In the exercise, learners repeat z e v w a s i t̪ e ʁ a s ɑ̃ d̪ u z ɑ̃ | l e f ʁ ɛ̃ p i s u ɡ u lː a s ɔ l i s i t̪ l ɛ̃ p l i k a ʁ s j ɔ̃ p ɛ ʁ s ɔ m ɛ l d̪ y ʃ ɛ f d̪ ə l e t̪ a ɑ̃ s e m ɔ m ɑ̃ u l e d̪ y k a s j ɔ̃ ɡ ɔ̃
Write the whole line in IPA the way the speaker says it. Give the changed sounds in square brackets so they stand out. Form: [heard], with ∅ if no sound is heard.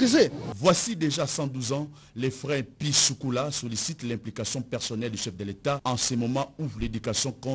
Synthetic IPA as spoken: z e v w a s i [d̪] e [ʒ] a s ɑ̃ d̪ u z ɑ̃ | l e f ʁ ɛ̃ p i s u [k] u [l] a s ɔ l i s i t̪ l ɛ̃ p l i k a [∅] s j ɔ̃ p ɛ ʁ s ɔ [n] ɛ l d̪ y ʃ ɛ f d̪ ə l e t̪ a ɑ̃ s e m ɔ m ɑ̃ u l e d̪ y k a s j ɔ̃ [k] ɔ̃